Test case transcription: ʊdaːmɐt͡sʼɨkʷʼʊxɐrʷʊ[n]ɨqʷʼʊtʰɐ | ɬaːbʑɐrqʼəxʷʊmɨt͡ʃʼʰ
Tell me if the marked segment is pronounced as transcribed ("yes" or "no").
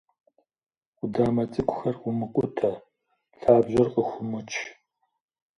no